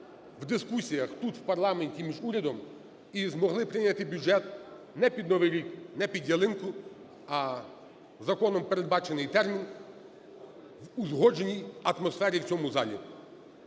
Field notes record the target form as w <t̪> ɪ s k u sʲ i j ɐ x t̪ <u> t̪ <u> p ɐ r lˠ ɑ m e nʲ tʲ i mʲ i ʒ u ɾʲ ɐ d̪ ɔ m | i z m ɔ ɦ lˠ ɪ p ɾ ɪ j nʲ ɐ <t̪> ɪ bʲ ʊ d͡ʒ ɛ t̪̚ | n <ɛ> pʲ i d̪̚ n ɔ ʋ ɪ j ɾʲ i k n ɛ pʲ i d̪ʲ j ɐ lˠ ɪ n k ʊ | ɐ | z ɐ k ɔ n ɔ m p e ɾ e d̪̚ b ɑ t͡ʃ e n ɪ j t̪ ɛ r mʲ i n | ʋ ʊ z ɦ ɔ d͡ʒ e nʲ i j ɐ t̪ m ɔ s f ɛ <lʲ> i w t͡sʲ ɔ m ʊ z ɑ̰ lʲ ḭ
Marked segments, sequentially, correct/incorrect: incorrect, correct, incorrect, correct, correct, incorrect

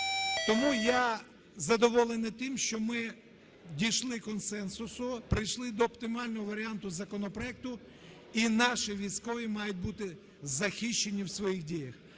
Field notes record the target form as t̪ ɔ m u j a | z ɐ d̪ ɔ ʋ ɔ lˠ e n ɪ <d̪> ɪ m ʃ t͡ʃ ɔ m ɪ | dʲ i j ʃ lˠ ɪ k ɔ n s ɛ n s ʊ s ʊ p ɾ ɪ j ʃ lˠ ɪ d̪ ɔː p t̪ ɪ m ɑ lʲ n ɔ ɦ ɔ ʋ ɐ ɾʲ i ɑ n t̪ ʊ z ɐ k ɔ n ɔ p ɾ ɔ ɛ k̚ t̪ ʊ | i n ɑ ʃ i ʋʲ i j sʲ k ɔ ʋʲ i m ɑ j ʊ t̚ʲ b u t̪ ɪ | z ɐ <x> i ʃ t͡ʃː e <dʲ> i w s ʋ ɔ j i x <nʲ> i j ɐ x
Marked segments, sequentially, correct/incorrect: incorrect, correct, incorrect, incorrect

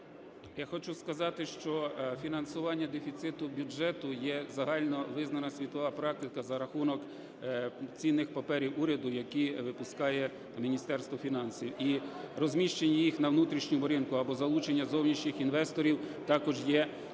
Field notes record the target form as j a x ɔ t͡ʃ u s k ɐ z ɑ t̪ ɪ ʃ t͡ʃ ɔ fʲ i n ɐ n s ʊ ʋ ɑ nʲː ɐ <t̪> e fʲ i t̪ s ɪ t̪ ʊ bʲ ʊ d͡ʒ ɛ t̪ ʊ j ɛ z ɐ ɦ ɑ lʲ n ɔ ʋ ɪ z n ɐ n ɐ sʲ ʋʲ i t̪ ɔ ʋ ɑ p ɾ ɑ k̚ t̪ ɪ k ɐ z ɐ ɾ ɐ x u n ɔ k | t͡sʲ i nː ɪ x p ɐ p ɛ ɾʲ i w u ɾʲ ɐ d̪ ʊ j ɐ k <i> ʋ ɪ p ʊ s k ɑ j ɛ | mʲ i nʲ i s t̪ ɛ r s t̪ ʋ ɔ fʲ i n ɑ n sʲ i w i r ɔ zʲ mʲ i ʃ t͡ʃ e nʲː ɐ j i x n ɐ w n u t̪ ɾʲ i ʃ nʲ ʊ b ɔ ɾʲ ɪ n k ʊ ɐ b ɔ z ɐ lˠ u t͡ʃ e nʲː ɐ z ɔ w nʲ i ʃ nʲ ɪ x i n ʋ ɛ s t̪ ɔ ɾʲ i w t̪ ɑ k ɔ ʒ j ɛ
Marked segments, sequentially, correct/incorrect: incorrect, correct

